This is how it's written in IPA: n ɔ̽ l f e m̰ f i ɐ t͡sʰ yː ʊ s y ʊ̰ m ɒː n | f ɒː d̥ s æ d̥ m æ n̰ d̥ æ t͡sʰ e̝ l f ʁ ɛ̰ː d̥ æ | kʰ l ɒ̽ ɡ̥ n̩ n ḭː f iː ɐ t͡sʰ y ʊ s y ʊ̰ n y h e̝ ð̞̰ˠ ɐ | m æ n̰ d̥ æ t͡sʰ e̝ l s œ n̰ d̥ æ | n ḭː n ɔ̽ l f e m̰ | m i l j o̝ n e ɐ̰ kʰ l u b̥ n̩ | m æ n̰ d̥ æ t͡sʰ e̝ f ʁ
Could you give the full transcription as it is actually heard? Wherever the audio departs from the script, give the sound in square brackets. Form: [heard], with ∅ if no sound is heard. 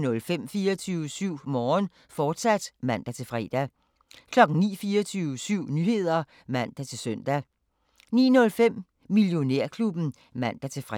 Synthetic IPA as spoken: n ɔ̽ l f e m̰ f [iː] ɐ t͡sʰ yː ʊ s y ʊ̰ m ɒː n | f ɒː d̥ s æ d̥ m æ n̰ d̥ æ t͡sʰ e̝ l f ʁ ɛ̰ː d̥ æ | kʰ l ɒ̽ ɡ̥ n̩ n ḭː f iː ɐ t͡sʰ y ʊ s y ʊ̰ n y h e̝ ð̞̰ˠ ɐ | m æ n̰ d̥ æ t͡sʰ e̝ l s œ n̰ d̥ æ | n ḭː n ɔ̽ l f e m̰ | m i l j o̝ n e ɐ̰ kʰ l u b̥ n̩ | m æ n̰ d̥ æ t͡sʰ e̝ f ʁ